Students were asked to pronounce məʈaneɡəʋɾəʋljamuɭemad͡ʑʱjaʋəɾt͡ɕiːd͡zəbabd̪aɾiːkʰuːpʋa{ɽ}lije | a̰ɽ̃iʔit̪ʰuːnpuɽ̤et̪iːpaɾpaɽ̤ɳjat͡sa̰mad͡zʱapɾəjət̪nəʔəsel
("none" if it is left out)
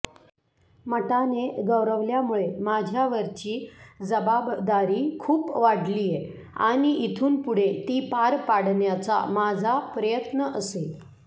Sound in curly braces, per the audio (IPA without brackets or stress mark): ɽ